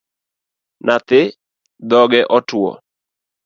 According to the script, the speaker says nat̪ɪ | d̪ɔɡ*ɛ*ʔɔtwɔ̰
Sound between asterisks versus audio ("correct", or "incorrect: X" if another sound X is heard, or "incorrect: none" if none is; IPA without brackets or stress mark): correct